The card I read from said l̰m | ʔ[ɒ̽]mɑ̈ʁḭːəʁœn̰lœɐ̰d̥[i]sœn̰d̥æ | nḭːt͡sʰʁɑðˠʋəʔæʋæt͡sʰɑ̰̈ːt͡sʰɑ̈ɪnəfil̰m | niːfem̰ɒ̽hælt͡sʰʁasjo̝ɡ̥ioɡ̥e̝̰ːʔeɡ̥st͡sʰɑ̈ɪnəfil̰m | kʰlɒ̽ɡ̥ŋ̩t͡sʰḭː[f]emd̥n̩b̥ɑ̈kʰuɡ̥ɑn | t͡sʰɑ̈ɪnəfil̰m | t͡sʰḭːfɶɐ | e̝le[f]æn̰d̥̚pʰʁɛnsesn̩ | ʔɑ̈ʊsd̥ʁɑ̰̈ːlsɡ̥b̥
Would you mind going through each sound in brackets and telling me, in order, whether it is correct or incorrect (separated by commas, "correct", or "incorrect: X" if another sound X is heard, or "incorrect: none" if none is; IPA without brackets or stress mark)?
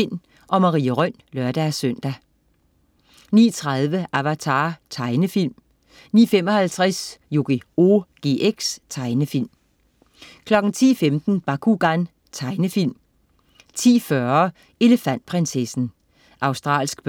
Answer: correct, incorrect: æ, correct, correct